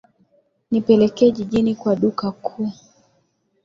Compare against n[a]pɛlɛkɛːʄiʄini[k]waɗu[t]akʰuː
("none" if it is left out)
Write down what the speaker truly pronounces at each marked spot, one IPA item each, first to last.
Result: i, k, k

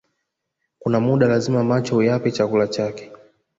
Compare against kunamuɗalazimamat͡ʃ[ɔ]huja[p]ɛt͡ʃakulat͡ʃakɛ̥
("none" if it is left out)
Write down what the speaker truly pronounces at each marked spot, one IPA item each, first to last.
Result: ɔ, p

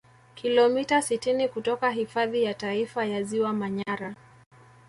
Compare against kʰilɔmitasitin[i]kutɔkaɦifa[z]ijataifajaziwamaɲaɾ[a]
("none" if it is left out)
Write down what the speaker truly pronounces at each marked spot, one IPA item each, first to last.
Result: i, ð, a

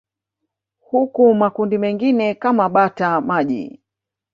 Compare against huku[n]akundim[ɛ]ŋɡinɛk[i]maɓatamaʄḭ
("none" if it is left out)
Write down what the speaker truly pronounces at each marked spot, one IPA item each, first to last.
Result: m, ɛ, a

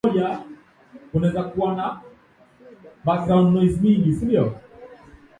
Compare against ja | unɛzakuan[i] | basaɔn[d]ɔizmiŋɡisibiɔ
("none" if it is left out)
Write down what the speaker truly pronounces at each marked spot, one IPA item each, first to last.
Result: a, n

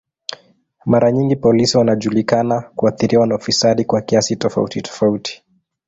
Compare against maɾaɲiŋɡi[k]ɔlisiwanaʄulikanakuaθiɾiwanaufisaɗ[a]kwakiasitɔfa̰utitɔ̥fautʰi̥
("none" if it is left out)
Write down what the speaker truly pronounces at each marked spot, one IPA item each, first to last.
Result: p, i

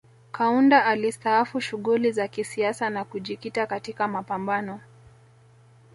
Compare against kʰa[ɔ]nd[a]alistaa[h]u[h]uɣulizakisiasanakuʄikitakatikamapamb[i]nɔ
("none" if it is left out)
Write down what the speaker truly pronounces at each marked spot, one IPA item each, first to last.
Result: u, a, f, ʃ, a

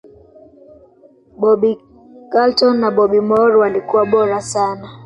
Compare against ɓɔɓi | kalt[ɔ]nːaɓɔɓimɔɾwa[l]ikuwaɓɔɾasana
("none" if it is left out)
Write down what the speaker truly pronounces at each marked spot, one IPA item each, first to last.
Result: ɔ, l

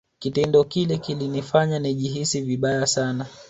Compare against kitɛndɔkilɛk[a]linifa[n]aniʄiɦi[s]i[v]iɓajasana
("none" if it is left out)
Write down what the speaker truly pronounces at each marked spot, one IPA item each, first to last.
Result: i, ɲ, s, v

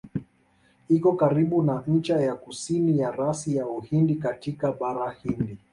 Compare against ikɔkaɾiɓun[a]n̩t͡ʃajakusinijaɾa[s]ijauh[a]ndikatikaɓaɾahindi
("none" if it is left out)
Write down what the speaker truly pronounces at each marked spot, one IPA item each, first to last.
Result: a, s, i

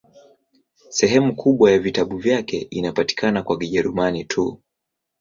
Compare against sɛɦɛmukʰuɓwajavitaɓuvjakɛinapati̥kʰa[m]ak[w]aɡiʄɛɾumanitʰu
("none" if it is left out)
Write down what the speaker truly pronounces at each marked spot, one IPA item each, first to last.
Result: n, w

